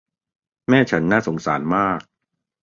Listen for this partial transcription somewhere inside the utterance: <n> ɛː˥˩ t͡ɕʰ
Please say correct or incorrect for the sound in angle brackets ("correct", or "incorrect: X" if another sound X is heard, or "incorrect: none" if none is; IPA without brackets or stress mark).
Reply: incorrect: m